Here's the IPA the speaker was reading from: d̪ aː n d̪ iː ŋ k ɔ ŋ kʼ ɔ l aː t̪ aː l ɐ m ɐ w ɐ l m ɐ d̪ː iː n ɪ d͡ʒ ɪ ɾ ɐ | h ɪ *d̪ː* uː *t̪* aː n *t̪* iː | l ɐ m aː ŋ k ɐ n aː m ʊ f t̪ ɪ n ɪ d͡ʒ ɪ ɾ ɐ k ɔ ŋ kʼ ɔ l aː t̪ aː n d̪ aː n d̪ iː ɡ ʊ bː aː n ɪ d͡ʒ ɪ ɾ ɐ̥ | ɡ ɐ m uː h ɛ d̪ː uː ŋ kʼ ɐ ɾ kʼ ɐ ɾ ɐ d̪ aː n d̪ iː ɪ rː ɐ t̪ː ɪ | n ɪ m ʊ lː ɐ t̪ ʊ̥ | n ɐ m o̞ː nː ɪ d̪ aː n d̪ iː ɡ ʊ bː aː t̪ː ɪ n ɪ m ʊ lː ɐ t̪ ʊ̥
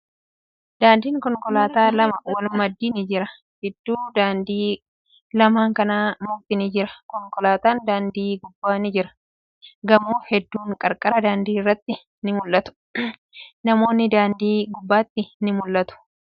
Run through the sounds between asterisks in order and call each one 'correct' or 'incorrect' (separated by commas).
correct, incorrect, incorrect